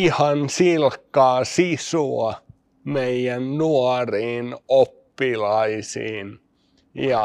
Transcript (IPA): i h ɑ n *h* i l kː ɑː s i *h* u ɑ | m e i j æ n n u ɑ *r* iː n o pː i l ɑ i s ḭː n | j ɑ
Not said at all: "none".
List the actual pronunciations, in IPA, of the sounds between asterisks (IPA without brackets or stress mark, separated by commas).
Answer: s, s, r